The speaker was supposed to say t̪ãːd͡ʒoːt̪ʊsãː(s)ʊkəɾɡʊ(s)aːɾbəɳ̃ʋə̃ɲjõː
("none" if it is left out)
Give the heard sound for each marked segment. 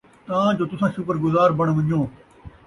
ʃ, z

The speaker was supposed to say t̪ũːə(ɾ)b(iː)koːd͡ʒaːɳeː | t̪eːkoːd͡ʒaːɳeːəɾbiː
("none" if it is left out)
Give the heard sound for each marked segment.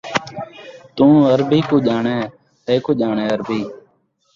ɾ, iː

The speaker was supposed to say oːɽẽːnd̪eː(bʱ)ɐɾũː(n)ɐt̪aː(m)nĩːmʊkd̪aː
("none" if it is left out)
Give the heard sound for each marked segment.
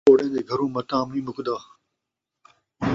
ɡʱ, m, m

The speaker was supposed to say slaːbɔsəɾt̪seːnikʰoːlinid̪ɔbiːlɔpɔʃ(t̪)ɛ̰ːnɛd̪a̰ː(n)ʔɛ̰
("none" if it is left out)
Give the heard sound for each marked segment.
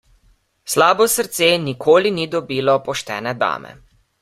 t̪, m

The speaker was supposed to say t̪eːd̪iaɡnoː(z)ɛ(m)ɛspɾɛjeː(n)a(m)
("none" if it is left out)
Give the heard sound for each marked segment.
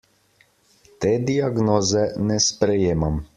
z, n, m, m

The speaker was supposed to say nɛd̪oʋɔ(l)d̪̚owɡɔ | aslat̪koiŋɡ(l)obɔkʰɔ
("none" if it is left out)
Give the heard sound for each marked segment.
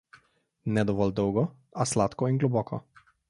l, l

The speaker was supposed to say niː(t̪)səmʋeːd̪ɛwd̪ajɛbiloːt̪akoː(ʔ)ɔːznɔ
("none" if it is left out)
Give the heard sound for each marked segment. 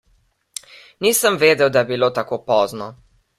none, p

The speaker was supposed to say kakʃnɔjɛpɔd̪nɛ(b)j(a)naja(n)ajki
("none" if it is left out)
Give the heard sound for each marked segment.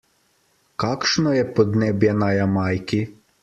b, ɛ, m

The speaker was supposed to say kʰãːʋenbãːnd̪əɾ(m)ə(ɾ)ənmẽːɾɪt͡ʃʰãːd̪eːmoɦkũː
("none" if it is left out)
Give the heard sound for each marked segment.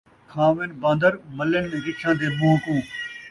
m, l

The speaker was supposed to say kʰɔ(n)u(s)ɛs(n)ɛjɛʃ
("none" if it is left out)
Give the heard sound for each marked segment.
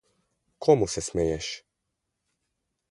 m, s, m

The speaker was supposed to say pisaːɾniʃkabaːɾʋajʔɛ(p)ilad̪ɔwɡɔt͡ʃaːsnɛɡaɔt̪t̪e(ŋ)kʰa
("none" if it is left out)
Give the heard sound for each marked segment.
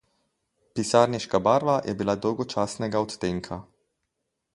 b, ŋ

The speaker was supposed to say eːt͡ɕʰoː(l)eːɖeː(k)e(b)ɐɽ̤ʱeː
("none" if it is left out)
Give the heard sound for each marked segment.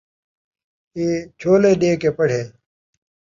l, k, p

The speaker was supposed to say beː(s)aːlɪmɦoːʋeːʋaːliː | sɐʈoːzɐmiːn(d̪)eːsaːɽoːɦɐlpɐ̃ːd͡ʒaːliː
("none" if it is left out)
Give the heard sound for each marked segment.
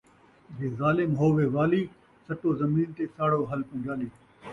z, t̪

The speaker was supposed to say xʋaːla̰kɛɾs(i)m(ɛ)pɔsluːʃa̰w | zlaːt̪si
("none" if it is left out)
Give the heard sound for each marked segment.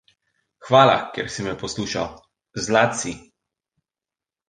i, ɛ

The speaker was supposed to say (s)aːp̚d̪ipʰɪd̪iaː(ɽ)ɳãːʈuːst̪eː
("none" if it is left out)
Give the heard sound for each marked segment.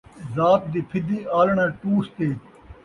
z, l

